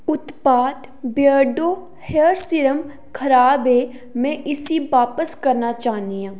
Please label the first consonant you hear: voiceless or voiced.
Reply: voiceless